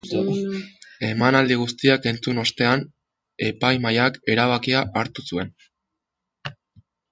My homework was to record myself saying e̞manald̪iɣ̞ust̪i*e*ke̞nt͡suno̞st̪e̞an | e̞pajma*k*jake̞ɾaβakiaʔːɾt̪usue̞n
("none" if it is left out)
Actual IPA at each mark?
a, none

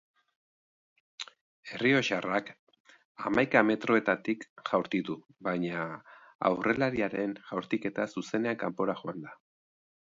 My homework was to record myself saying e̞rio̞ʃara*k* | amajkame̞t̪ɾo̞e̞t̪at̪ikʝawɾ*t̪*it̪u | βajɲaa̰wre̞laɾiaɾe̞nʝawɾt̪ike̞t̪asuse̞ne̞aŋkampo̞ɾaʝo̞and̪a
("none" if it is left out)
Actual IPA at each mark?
k, t̪

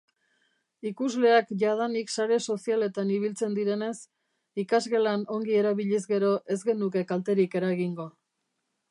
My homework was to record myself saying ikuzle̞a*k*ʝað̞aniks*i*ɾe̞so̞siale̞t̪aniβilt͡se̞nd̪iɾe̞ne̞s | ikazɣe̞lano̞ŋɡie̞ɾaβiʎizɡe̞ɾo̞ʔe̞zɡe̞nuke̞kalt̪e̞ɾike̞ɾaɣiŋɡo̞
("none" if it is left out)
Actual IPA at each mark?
k, a

